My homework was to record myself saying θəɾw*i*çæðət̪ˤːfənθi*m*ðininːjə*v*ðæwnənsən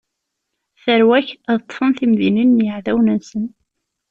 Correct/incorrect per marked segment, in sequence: incorrect, correct, incorrect

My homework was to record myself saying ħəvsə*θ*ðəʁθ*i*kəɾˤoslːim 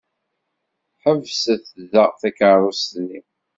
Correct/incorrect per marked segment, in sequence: correct, incorrect

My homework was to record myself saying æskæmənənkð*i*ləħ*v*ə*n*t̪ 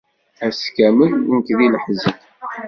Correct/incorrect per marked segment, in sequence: correct, incorrect, incorrect

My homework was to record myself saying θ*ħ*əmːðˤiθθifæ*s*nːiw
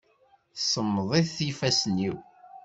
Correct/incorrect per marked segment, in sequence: incorrect, correct

